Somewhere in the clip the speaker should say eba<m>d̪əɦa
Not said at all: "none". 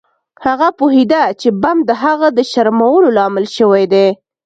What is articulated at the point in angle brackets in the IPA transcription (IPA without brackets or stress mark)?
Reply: m